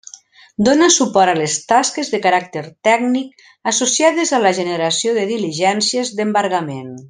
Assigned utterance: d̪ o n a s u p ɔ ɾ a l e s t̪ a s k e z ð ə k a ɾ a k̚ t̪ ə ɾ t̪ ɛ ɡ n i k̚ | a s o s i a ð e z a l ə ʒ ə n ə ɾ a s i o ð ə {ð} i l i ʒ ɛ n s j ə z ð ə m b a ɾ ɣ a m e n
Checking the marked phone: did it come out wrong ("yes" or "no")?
no